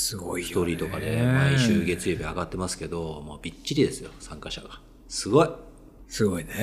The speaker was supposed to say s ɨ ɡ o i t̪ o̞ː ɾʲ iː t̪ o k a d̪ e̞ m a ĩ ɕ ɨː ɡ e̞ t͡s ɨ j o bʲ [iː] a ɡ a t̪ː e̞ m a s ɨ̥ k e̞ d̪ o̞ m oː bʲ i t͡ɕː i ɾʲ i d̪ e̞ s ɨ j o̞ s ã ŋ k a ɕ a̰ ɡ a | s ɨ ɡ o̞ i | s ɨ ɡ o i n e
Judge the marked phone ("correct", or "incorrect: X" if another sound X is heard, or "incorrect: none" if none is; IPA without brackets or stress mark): incorrect: i